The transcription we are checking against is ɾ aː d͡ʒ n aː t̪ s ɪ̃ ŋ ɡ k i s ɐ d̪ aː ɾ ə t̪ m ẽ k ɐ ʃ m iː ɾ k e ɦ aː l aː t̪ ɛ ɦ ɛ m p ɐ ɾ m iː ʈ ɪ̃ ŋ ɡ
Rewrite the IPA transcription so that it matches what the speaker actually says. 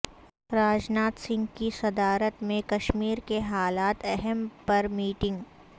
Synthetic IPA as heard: ɾ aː d͡ʒ n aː t̪ s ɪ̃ ŋ ɡ k i s ɐ d̪ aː ɾ ə t̪ m ẽ k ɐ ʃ m iː ɾ k e ɦ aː l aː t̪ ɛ ɦ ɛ m p ɐ ɾ m iː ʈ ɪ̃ ŋ ɡ